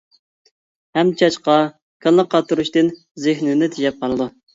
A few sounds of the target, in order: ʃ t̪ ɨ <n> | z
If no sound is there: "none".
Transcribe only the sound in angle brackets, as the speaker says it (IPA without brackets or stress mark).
n